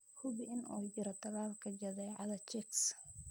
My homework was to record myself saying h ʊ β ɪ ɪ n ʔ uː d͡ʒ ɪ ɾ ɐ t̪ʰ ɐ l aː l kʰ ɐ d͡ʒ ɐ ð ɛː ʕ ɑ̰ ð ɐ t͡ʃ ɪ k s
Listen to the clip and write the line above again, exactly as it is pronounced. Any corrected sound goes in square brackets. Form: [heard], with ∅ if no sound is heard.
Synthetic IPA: h ʊ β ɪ ɪ n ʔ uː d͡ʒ ɪ ɾ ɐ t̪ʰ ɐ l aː l kʰ ɐ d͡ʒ ɐ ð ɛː ʕ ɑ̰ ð ɐ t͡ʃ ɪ k s